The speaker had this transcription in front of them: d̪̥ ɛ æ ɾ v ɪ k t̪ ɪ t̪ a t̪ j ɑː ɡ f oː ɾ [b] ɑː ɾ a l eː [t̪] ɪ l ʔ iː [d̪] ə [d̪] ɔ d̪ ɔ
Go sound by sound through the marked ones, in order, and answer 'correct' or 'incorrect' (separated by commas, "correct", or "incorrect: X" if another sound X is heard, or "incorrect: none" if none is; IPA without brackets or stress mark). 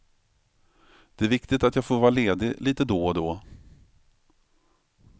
incorrect: v, incorrect: d̪, incorrect: t̪, correct